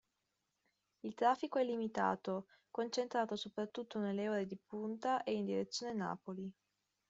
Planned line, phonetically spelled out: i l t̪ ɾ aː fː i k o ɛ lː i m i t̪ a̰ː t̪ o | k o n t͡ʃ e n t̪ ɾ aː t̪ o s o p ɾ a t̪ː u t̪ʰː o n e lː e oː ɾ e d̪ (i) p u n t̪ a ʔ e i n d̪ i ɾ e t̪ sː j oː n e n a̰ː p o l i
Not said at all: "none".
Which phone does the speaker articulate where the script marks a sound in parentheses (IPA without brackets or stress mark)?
i